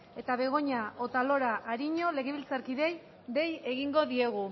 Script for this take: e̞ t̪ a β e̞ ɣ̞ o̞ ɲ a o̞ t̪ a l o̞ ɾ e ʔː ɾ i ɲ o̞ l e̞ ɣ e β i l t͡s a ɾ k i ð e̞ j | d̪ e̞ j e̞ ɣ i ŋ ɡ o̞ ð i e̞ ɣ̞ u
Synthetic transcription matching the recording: e̞ t̪ a β e̞ ɣ̞ o̞ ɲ a o̞ t̪ a l o̞ ɾ a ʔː ɾ i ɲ o̞ l e̞ ɣ e β i l t͡s a ɾ k i ð e̞ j | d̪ e̞ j e̞ ɣ i ŋ ɡ o̞ ð i e̞ ɣ̞ u